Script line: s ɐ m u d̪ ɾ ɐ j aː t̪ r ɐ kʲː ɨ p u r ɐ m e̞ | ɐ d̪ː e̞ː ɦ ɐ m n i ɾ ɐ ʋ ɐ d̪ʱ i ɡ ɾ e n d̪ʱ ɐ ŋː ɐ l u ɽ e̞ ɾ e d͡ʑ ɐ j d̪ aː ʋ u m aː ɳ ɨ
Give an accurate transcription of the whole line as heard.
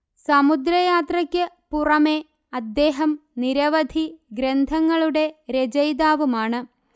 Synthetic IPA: s ɐ m u d̪ ɾ ɐ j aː t̪ r ɐ kʲː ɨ p u r ɐ m e̞ | ɐ d̪ː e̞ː ɦ ɐ m n i ɾ ɐ ʋ ɐ d̪ʱ i ɡ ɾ e n d̪ʱ ɐ ŋː ɐ ɭ u ɽ e̞ ɾ e d͡ʑ ɐ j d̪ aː ʋ u m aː ɳ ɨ